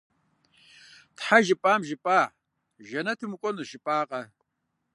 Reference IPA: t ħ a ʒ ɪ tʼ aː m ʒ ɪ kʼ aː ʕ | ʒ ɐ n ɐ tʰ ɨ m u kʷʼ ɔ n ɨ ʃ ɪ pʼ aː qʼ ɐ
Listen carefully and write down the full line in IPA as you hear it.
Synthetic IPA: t ħ a ʒ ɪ pʼ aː m ʒ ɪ pʼ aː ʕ | ʒ ɐ n ɐ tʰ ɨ m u kʷʼ ɔ n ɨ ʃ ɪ pʼ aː qʼ ɐ